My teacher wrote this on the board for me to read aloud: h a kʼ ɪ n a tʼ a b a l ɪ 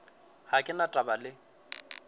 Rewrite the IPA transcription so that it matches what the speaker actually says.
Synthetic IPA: h a kʼ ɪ n a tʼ a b a l ɪ